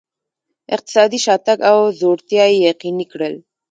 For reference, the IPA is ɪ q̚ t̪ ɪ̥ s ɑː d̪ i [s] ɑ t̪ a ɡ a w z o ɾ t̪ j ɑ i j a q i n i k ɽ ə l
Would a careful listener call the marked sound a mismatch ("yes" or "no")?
yes